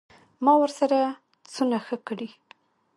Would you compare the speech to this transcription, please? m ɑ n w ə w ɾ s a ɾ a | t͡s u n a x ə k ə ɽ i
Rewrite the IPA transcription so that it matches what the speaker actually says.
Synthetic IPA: m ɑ w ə ɾ s a ɾ a | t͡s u n a x ə k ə ɽ i